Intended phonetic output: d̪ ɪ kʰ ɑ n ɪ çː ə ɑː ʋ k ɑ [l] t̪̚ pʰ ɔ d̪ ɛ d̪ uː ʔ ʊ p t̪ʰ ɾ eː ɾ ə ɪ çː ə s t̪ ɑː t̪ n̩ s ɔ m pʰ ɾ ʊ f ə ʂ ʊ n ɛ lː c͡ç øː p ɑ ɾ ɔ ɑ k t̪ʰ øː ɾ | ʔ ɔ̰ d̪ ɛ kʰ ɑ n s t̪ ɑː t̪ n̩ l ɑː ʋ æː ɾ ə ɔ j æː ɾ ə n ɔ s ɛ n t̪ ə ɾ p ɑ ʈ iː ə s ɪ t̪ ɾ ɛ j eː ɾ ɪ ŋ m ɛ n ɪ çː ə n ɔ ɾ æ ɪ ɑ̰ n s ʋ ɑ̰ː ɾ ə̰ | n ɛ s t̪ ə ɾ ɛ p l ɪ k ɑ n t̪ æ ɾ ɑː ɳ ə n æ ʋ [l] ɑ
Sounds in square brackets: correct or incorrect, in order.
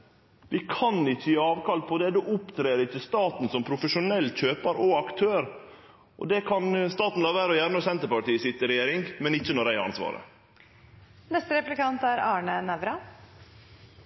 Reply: correct, incorrect: ɾ

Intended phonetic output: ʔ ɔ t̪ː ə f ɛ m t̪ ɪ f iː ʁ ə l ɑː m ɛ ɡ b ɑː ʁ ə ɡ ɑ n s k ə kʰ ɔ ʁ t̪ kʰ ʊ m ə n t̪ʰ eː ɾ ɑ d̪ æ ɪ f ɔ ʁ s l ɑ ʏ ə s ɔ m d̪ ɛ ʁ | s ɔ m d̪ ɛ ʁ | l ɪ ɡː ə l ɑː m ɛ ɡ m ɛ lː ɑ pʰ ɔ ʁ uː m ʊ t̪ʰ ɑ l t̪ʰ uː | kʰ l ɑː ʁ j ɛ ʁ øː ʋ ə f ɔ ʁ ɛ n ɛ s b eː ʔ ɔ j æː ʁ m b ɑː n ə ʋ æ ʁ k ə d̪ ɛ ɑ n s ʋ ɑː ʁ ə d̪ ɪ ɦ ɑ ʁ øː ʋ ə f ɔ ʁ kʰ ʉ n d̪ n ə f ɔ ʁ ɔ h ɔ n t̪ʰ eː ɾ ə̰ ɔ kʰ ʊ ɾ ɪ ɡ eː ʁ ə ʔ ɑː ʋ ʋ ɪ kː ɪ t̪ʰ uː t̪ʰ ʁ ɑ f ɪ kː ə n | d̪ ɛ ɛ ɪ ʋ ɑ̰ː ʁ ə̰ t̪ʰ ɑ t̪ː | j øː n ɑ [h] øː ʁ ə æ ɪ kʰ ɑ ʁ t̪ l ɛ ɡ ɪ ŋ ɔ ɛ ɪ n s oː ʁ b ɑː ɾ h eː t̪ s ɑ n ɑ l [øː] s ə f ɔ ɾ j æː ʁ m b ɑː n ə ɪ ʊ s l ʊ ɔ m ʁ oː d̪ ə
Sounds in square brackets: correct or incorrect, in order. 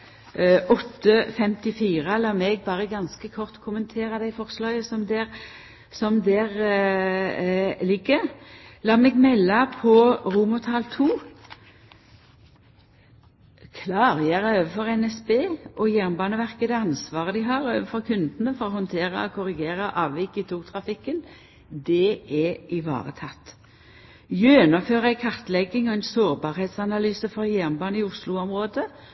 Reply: incorrect: f, incorrect: yː

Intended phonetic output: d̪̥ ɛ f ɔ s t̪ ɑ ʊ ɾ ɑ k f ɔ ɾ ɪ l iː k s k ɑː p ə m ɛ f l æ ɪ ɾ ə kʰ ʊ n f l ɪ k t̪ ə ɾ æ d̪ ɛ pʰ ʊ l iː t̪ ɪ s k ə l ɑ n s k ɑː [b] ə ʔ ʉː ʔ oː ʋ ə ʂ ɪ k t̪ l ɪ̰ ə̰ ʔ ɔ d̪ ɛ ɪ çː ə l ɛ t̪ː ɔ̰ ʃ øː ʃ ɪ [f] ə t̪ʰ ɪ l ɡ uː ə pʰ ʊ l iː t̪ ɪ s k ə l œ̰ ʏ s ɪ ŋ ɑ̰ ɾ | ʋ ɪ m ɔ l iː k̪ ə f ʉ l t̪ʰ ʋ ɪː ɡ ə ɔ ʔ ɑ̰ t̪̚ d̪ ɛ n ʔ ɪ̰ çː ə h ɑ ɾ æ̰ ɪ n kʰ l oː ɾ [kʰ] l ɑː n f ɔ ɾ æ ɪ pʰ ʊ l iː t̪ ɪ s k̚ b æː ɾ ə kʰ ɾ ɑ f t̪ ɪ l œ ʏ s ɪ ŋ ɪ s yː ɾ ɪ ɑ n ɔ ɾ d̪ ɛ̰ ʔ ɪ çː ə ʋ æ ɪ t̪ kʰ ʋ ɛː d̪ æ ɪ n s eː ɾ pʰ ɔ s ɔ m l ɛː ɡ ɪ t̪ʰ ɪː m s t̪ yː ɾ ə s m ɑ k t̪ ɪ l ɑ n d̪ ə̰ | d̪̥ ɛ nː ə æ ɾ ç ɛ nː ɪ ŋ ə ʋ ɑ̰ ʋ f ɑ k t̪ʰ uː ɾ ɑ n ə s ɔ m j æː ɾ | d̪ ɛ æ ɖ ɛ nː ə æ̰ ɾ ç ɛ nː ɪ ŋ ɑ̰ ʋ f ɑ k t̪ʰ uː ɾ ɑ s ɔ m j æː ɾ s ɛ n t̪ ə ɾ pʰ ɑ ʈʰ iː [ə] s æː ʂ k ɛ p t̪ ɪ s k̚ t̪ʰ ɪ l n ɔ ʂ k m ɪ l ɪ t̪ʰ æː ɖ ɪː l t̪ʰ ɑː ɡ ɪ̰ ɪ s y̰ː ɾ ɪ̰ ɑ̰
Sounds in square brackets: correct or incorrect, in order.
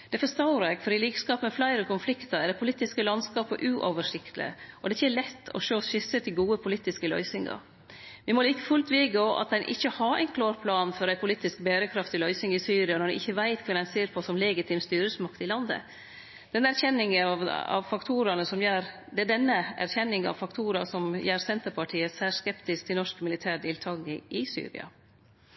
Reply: incorrect: p, incorrect: s, incorrect: pʰ, correct

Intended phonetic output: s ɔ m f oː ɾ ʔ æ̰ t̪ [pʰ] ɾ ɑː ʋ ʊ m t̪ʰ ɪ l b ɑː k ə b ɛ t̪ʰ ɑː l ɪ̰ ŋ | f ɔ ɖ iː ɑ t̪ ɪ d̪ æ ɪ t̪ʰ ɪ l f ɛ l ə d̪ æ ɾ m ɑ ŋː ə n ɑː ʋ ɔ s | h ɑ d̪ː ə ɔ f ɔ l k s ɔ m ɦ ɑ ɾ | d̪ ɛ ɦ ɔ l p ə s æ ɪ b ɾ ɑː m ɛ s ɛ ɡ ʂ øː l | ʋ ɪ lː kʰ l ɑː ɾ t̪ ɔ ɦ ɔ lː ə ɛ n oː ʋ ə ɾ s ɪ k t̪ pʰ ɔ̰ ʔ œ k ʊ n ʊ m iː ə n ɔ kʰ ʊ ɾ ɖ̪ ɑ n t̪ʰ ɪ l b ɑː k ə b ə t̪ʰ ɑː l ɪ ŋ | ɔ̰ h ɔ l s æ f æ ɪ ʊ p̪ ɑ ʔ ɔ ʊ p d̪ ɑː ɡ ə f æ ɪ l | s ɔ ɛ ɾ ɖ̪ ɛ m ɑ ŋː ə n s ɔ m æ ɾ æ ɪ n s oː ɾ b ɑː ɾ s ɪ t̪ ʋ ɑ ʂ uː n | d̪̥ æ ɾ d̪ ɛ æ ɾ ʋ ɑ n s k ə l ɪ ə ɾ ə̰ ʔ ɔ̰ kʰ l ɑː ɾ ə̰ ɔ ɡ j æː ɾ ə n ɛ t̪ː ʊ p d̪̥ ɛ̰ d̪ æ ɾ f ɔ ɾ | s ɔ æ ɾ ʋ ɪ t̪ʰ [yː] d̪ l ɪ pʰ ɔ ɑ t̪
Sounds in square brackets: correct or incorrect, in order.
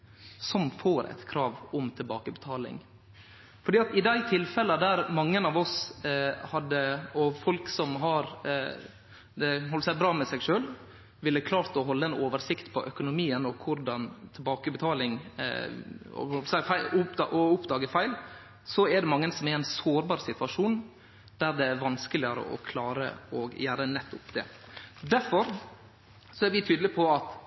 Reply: incorrect: kʰ, correct

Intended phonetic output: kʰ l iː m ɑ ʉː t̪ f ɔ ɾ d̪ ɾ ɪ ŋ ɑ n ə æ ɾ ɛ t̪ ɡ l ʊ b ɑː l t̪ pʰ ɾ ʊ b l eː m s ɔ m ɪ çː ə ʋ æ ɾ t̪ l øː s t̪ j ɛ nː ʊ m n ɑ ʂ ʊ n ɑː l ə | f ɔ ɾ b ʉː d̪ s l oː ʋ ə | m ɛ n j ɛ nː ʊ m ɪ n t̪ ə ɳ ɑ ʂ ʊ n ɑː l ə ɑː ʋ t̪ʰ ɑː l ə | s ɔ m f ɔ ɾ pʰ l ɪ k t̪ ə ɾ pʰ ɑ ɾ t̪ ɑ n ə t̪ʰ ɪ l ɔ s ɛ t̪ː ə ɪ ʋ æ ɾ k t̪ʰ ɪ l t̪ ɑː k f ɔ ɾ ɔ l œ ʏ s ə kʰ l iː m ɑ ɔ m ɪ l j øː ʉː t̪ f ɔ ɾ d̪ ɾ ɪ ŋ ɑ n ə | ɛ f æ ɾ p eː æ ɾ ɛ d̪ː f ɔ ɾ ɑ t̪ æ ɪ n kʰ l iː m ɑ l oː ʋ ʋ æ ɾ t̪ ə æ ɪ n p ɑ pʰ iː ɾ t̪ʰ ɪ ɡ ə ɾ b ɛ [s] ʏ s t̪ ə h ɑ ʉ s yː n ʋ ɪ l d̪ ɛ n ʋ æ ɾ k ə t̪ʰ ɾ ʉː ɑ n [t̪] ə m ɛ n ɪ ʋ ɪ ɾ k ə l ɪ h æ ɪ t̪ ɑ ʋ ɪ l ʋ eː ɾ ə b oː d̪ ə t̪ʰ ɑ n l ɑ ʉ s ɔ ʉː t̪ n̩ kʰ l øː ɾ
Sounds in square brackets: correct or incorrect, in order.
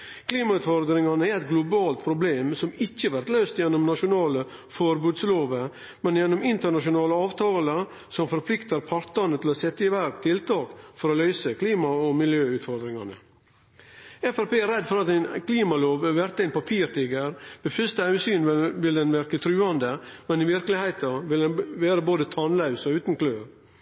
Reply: incorrect: f, incorrect: d̪

